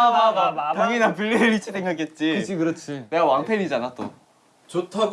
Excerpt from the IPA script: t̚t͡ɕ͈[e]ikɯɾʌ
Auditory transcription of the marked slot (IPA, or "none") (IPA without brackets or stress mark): i